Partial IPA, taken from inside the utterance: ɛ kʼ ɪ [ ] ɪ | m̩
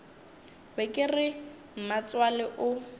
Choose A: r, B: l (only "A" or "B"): A